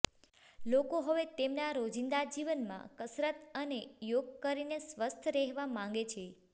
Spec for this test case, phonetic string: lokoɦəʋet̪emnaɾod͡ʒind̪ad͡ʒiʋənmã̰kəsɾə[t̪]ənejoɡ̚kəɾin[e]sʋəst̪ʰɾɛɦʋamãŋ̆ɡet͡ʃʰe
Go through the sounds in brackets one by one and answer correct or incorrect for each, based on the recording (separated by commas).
correct, correct